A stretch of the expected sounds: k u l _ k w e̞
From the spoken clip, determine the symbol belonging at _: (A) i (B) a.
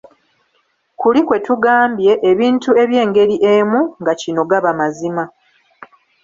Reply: A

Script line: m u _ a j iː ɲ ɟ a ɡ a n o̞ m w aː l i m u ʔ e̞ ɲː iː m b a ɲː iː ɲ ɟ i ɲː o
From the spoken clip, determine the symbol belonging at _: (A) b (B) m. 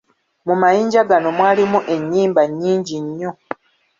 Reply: B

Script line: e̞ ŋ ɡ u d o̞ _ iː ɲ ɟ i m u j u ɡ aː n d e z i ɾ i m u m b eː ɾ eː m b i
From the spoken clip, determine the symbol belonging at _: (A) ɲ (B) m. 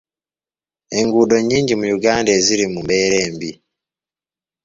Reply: A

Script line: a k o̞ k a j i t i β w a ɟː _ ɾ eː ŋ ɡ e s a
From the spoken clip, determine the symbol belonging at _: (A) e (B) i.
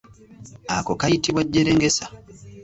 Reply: A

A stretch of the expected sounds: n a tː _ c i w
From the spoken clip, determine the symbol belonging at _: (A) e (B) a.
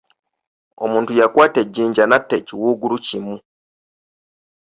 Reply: A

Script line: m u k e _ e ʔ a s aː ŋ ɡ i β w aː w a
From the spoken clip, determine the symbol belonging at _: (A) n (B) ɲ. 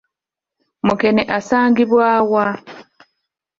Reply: A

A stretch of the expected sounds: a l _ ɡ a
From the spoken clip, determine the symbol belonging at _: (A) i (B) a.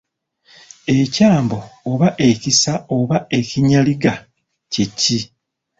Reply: A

